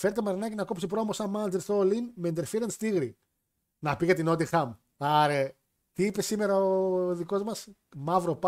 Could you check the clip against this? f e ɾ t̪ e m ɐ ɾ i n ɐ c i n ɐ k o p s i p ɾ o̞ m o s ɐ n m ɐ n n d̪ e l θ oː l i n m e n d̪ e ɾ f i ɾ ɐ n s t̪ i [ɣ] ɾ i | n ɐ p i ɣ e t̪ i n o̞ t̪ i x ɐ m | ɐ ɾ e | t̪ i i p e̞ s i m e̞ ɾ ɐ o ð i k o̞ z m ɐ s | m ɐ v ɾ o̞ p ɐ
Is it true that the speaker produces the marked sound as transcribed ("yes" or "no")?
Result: yes